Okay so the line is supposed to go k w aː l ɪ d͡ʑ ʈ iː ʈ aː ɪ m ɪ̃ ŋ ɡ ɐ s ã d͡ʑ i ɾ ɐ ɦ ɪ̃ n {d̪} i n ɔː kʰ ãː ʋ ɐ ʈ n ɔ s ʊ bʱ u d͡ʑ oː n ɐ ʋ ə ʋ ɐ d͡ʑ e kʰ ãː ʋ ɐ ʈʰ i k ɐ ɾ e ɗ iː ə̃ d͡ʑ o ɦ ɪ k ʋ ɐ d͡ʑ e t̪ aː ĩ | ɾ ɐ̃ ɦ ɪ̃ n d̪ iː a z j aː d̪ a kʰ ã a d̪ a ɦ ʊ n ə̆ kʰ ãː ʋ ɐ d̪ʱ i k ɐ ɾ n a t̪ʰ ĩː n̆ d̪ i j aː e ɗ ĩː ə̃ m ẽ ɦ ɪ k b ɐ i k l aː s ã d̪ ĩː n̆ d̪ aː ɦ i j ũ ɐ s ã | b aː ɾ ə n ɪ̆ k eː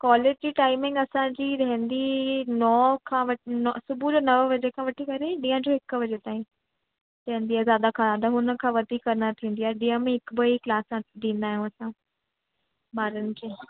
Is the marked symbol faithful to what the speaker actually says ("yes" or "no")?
yes